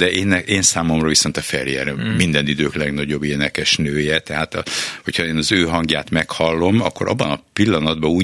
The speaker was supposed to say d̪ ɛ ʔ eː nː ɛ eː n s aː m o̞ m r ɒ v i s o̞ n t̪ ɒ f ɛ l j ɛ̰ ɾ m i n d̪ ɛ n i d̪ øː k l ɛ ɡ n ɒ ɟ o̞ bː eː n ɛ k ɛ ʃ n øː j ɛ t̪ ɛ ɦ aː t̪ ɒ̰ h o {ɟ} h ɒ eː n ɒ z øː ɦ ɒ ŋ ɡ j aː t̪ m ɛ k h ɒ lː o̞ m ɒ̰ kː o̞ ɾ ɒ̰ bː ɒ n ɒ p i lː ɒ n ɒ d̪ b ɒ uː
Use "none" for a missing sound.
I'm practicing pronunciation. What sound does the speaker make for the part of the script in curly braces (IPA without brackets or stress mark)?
c